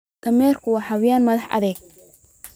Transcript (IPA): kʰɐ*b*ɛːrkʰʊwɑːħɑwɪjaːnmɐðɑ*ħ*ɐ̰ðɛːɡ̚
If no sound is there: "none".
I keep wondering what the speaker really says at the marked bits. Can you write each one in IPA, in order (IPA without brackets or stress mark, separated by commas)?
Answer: m, ħ